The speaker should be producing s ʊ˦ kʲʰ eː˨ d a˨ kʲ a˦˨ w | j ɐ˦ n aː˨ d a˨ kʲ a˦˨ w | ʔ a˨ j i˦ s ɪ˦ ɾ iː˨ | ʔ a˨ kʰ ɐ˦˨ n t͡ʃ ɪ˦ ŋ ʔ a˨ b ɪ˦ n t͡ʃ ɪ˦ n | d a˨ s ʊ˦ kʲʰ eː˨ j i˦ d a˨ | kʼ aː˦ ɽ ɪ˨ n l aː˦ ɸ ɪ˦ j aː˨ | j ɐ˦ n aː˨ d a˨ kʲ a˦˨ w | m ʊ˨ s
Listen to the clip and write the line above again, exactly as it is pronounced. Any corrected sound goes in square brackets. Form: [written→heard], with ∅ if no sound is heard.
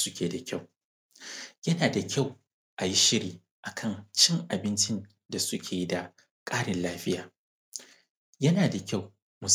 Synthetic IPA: s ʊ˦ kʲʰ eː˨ d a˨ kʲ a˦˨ w | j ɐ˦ n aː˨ d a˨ kʲ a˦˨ w | ʔ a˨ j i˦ [s→ʃ] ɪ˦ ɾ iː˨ | ʔ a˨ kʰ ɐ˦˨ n t͡ʃ ɪ˦ ŋ ʔ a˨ b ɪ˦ n t͡ʃ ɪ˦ n | d a˨ s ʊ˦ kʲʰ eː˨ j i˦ d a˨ | kʼ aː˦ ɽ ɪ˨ n l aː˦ ɸ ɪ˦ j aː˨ | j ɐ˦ n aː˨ d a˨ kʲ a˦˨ w | m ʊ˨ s